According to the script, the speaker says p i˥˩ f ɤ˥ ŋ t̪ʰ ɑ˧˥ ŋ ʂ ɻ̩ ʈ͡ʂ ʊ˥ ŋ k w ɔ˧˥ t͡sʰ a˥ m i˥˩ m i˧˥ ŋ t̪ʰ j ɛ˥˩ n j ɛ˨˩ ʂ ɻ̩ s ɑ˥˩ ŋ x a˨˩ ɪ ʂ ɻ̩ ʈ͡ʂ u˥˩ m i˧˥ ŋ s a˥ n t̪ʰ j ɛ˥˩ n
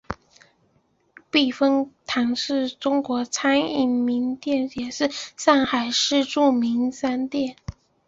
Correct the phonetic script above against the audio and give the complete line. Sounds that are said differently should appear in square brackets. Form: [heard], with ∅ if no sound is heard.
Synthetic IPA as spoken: p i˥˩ f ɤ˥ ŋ t̪ʰ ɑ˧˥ ŋ ʂ ɻ̩ ʈ͡ʂ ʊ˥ ŋ k w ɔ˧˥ t͡sʰ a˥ [n] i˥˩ m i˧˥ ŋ [t̪] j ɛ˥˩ n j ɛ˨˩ ʂ ɻ̩ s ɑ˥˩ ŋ x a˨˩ ɪ ʂ ɻ̩ ʈ͡ʂ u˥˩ m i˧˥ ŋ s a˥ n [t̪] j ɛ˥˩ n